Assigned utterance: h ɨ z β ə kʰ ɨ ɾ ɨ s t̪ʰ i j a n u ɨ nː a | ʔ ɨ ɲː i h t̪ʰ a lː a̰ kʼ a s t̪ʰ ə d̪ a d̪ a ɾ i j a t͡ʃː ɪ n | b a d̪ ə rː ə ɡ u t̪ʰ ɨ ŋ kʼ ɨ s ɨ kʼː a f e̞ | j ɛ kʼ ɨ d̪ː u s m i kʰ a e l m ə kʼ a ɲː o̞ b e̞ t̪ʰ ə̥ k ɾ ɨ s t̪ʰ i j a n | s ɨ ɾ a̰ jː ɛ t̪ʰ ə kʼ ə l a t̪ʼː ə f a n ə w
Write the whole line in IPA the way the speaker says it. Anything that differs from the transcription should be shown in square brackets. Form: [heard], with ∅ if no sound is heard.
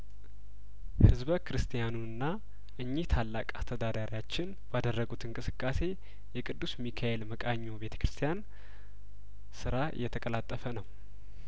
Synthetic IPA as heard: h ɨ z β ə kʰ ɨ ɾ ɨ s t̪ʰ i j a n u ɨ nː a | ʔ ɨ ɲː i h t̪ʰ a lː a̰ kʼ a s t̪ʰ ə d̪ a d̪ a ɾ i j a t͡ʃː ɪ n | b a d̪ ə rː ə ɡ u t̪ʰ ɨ ŋ kʼ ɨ s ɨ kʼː a [s] e̞ | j ɛ kʼ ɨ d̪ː u s m i kʰ a e l m ə kʼ a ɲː o̞ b e̞ t̪ʰ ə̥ k ɾ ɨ s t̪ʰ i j a n | s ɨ ɾ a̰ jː ɛ t̪ʰ ə kʼ ə l a t̪ʼː ə f [ə] n ə w